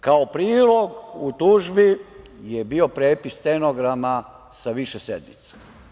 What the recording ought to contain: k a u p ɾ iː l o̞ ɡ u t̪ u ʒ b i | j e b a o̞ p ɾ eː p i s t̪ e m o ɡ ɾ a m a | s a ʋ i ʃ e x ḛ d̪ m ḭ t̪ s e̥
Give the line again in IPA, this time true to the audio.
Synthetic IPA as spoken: k a o p ɾ iː l o̞ ɡ u t̪ u ʒ b i | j e b i o̞ p ɾ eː p i s t̪ e n o ɡ ɾ a m a | s a ʋ i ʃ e s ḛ d̪ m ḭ t̪ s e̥